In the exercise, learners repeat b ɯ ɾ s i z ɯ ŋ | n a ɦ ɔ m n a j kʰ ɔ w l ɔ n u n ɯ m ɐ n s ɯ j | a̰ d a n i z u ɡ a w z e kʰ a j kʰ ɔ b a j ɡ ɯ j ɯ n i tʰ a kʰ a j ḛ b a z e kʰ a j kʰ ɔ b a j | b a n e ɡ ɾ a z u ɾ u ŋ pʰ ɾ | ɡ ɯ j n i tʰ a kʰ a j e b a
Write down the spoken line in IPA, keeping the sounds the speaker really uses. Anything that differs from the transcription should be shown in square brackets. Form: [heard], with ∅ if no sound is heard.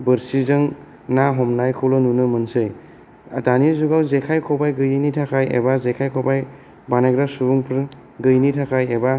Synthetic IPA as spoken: b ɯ ɾ s i z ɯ ŋ | n a ɦ ɔ m n a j kʰ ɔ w l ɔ n u n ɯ m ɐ n s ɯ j | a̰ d a n i z u ɡ a w z e kʰ a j kʰ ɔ b a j ɡ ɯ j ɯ n i tʰ a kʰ a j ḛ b a z e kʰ a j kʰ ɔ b a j | b a n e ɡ ɾ a [s] u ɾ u ŋ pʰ ɾ | ɡ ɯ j n i tʰ a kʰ a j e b a